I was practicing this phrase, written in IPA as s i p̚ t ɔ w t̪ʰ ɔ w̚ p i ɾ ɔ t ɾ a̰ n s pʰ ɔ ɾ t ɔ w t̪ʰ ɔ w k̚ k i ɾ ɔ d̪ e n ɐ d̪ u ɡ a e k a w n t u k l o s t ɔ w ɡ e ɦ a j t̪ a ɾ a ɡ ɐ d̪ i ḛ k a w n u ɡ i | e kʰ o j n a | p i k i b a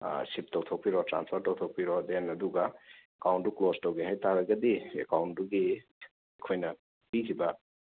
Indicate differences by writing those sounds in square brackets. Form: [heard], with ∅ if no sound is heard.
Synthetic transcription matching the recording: s i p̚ t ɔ w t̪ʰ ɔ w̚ p i ɾ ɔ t ɾ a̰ n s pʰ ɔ ɾ t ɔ w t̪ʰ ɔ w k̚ [p] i ɾ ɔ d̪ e n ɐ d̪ u ɡ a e k a w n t u k l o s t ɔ w ɡ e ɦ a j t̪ a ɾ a ɡ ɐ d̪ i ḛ k a w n u ɡ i | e kʰ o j n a | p i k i b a